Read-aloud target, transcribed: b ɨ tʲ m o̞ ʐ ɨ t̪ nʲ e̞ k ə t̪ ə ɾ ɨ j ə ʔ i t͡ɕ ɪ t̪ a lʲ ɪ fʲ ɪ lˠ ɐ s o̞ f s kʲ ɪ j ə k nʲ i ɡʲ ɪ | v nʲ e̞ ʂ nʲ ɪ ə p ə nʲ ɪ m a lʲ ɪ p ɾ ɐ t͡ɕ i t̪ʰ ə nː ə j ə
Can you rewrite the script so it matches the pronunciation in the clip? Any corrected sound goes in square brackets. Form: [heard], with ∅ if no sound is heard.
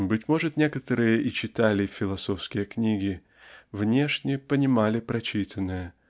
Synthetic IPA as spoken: b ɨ tʲ m o̞ ʐ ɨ t̪ nʲ e̞ k ə t̪ ə ɾ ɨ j ə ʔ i t͡ɕ ɪ t̪ a lʲ ɪ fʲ ɪ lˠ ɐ s o̞ f s kʲ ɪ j ə k nʲ i ɡʲ ɪ | v nʲ e̞ ʂ nʲ ɪ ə p ə nʲ ɪ m a lʲ ɪ p ɾ ɐ t͡ɕ i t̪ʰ ə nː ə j ə